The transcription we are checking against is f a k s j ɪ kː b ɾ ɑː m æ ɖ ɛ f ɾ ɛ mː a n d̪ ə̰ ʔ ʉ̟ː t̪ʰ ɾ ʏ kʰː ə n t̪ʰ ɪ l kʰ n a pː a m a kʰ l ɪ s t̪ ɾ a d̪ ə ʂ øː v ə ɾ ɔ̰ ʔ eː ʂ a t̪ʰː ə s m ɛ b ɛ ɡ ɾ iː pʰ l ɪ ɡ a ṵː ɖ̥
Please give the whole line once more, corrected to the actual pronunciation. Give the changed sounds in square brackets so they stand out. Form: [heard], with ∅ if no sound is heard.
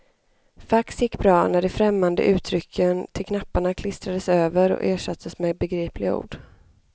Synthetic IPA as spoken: f a k s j ɪ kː b ɾ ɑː [n] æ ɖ ɛ f ɾ ɛ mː a n d̪ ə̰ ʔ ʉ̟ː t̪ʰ ɾ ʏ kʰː ə n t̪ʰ ɪ l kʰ n a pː a [ɳ] a kʰ l ɪ s t̪ ɾ a d̪ ə [s] øː v ə ɾ ɔ̰ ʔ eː ʂ a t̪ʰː ə s m ɛ b ɛ ɡ ɾ iː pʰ l ɪ ɡ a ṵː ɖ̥